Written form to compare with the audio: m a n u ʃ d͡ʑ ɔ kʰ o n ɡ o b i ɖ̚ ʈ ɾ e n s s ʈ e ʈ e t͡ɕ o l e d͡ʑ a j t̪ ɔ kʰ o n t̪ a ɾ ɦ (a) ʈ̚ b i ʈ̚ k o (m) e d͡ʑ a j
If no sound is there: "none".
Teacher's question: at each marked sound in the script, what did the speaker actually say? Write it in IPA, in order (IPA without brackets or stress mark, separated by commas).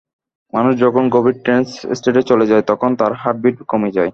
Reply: a, m